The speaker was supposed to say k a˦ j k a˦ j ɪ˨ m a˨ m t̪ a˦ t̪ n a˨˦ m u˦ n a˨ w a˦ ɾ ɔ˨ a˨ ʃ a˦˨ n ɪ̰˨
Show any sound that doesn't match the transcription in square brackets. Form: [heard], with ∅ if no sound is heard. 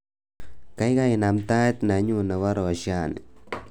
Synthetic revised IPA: k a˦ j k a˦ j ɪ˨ [n] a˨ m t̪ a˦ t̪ n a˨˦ [ɲ] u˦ n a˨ w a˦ ɾ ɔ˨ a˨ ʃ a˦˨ n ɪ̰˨